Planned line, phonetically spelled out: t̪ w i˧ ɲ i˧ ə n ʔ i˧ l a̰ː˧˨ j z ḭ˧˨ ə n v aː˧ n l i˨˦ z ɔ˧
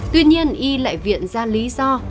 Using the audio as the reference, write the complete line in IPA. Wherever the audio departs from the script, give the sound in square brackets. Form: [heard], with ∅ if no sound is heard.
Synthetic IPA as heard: t̪ w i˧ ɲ i˧ ə n ʔ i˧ l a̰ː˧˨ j [v] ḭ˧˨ ə n [z] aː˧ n l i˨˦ z ɔ˧